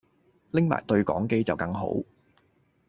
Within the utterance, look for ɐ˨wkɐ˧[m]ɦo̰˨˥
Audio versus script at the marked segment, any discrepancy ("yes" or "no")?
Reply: yes